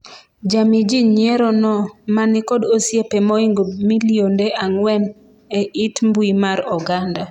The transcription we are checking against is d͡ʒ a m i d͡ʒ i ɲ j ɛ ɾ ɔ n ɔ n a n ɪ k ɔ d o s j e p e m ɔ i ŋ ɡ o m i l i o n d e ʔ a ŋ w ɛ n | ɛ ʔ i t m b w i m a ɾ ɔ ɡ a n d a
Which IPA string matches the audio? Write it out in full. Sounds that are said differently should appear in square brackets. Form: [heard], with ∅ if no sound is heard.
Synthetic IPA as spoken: d͡ʒ a m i d͡ʒ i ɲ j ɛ ɾ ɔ n ɔ [m] a n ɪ k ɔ d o s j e p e m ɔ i ŋ ɡ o m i l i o n d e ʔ a ŋ w ɛ n | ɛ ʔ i t m b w i m a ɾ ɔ ɡ a n d a